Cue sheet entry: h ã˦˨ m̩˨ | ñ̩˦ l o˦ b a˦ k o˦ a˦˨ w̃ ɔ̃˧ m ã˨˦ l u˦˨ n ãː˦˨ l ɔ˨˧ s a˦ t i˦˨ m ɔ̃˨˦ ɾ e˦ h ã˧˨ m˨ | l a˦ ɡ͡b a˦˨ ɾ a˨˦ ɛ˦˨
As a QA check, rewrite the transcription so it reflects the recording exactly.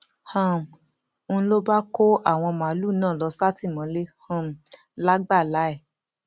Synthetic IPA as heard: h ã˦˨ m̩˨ | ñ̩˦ l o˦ b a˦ k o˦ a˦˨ w̃ ɔ̃˧ m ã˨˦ l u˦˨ n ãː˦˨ l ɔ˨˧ s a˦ t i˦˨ m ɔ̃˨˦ l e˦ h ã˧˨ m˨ | l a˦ ɡ͡b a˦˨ l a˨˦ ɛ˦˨